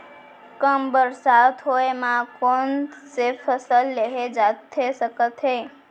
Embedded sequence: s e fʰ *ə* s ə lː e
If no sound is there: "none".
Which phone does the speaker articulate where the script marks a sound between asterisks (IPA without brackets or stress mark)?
ə